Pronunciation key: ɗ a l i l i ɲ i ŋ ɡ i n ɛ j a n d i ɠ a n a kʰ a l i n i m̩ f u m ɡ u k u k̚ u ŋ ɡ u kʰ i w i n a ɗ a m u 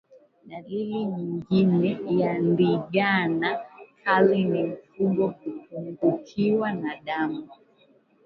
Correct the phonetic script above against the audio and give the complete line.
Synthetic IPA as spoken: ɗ a l i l i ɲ i ŋ ɡ i n ɛ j a n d i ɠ a n a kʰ a l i n i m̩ f u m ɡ ɔ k u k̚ u ŋ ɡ u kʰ i w a n a ɗ a m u